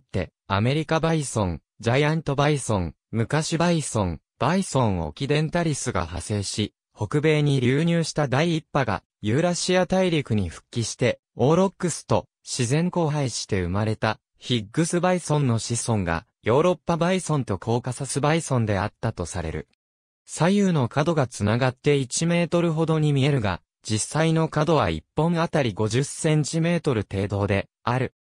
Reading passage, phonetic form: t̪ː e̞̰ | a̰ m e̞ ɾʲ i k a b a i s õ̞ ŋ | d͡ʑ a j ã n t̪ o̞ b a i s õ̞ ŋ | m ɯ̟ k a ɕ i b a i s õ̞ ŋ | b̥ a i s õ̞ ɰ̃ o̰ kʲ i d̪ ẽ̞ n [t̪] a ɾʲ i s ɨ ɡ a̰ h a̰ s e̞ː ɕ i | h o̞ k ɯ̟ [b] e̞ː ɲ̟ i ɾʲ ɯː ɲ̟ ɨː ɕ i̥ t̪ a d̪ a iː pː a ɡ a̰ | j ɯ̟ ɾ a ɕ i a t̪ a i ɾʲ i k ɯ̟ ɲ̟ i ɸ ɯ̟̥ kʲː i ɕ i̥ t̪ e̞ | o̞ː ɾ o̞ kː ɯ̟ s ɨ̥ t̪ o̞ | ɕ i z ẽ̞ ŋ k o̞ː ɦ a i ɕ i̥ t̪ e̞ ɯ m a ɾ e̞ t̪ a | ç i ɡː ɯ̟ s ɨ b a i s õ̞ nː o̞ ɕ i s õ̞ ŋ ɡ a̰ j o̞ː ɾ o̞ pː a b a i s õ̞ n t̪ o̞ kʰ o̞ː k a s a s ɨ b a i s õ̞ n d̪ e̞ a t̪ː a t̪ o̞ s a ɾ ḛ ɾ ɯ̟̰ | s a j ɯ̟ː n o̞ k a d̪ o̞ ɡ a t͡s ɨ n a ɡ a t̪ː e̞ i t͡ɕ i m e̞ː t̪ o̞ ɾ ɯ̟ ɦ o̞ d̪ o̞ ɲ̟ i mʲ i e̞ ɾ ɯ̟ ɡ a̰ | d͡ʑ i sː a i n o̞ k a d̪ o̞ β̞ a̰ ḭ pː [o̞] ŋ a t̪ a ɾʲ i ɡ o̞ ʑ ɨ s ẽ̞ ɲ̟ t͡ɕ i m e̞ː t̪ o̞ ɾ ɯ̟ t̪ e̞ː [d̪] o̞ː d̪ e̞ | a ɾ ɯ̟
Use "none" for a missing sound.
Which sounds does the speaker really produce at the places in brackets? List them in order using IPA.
t̪, b, õ̞, d̪

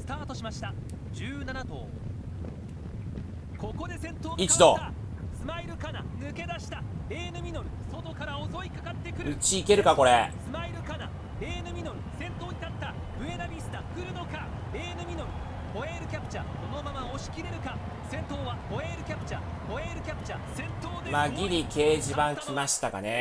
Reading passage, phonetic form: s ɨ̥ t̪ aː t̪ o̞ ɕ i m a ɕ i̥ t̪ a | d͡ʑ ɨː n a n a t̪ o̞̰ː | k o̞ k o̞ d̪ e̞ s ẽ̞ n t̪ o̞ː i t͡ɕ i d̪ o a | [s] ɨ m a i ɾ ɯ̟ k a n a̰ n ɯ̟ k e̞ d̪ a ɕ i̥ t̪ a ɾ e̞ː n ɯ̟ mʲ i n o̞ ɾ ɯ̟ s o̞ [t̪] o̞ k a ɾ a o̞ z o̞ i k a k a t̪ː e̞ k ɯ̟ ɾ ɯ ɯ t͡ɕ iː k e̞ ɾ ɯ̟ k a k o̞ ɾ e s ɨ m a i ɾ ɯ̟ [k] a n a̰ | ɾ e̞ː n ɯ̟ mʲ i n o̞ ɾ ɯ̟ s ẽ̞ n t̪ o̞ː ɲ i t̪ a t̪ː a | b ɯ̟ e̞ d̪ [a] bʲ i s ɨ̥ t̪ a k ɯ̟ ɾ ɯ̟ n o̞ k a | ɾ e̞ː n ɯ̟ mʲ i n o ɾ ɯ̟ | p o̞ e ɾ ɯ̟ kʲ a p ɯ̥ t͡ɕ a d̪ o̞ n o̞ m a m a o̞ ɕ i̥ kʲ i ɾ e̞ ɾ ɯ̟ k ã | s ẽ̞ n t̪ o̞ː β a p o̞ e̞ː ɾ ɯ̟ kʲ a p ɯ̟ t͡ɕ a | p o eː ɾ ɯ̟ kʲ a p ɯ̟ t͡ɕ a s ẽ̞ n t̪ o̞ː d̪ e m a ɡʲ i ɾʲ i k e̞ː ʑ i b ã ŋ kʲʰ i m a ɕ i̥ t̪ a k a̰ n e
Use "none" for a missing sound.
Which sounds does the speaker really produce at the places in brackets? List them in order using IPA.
s, t̪, k, a

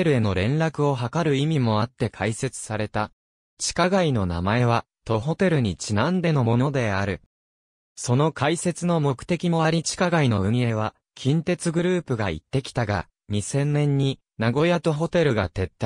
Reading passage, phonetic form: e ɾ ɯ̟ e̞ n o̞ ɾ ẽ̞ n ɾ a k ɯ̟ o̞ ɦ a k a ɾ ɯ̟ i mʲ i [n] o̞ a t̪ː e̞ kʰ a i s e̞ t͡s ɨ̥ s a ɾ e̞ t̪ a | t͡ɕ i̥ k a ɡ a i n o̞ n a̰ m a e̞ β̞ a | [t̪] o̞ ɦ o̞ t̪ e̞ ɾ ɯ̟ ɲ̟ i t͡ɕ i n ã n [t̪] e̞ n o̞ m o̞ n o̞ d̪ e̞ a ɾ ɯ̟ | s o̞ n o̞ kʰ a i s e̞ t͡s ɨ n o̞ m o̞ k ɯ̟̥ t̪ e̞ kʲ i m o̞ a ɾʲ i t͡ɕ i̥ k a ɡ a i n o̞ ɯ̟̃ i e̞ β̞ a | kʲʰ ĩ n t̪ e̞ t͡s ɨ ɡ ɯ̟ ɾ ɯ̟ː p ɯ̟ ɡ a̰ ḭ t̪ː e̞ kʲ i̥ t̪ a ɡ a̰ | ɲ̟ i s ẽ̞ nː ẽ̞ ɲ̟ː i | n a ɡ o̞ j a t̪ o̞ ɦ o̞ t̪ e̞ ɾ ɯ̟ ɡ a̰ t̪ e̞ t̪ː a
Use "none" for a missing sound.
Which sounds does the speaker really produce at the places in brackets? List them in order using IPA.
m, t̪, d̪

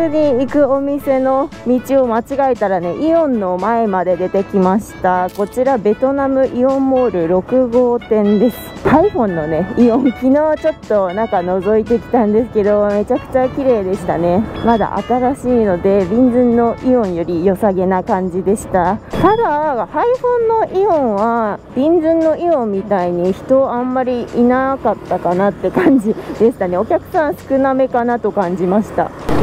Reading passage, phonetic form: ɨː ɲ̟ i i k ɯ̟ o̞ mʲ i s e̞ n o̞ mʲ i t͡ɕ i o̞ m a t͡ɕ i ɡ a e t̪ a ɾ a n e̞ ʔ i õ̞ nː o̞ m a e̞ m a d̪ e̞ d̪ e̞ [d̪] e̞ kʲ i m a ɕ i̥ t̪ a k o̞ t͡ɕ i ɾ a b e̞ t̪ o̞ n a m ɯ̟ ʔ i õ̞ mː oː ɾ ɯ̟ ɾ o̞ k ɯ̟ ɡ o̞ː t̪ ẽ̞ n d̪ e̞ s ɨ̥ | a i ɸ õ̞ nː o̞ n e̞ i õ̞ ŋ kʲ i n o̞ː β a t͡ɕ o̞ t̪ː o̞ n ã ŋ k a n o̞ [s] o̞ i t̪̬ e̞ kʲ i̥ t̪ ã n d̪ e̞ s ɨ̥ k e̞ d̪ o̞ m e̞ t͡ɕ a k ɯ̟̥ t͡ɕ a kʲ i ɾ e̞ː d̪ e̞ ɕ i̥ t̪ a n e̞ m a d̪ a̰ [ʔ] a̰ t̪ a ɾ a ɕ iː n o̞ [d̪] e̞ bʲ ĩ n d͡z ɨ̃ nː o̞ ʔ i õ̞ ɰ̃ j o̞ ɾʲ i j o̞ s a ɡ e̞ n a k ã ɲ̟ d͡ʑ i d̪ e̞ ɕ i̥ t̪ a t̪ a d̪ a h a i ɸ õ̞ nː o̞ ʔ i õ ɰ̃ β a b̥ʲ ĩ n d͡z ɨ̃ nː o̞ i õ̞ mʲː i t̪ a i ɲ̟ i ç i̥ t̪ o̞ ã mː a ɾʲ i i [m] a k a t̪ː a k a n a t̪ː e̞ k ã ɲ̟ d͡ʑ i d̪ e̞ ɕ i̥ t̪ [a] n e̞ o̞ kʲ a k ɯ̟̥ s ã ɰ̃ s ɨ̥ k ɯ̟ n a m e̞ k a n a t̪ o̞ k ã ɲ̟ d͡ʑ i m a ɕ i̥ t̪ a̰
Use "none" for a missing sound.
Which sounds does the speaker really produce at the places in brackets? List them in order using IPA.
t̪, z, ʔ, d̪, n, a

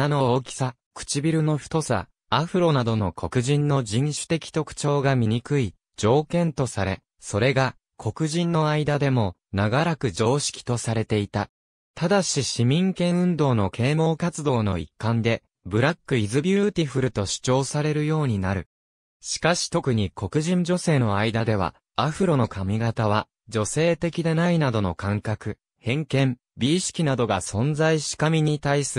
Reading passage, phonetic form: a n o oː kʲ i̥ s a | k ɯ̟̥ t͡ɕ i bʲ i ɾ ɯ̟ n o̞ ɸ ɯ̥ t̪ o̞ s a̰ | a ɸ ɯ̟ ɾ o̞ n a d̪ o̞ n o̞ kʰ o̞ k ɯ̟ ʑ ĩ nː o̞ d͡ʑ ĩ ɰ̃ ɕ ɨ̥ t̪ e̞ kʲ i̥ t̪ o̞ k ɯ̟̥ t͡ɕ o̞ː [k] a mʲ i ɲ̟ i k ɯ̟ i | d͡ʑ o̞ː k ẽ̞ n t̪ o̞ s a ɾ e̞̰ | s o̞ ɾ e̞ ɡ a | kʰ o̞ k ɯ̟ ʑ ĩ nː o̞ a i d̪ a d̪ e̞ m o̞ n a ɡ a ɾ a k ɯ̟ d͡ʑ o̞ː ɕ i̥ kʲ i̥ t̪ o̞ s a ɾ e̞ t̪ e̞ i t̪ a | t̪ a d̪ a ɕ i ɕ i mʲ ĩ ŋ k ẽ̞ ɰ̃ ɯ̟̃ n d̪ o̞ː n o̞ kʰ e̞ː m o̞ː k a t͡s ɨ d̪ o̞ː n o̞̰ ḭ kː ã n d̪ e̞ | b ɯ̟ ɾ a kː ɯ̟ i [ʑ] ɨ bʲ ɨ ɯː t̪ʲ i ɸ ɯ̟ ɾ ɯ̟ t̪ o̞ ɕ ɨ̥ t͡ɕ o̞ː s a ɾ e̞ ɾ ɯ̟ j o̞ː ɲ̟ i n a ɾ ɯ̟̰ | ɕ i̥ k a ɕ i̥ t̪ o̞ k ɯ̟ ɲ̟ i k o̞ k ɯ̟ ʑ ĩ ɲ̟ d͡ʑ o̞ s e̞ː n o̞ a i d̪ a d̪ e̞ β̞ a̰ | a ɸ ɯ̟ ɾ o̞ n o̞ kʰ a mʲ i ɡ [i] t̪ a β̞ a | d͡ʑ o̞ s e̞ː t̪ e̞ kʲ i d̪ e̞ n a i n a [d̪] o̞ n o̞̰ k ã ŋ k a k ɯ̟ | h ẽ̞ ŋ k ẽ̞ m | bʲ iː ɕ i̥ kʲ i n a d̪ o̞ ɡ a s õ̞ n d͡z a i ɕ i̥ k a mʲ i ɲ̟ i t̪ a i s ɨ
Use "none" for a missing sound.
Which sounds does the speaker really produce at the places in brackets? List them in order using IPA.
ɡ, z, a, d̪

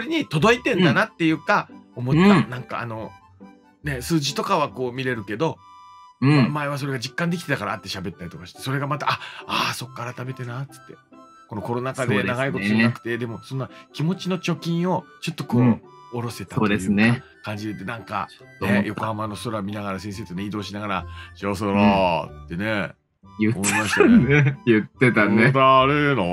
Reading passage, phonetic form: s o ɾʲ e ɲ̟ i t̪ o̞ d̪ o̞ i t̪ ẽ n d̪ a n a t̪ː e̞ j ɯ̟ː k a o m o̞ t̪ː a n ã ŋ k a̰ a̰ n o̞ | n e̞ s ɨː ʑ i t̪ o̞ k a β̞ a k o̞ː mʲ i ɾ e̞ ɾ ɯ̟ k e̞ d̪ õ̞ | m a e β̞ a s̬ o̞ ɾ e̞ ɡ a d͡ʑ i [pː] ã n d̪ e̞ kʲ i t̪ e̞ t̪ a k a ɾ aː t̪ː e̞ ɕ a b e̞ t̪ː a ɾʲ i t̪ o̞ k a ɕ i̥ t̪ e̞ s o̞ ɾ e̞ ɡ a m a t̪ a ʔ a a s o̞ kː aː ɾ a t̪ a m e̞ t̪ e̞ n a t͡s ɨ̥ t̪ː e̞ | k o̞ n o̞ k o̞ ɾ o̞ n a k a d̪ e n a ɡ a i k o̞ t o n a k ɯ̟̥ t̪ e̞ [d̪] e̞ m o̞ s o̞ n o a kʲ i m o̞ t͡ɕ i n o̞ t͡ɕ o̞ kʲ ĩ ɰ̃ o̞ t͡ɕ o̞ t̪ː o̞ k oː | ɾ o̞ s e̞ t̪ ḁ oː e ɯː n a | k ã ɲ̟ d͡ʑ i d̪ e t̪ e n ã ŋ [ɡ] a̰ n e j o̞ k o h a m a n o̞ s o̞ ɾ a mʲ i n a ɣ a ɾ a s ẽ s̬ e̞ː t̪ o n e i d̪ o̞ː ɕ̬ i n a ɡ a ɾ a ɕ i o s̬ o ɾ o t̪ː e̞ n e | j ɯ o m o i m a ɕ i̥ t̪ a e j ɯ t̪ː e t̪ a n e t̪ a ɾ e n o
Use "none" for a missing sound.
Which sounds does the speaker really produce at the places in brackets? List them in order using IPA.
kː, d̪, k

